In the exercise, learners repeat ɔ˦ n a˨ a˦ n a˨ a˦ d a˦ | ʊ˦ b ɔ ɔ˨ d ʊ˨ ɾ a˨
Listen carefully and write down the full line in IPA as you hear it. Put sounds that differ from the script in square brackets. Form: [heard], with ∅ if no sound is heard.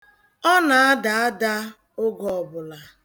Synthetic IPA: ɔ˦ n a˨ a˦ [d] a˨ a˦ d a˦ | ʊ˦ [ɡ] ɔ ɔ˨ [b] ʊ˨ [l] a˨